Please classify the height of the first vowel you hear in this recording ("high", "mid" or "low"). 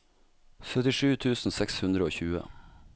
mid